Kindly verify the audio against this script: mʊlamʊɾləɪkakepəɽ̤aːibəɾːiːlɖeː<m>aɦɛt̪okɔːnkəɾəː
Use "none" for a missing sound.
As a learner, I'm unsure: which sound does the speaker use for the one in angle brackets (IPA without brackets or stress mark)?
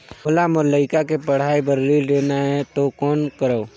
n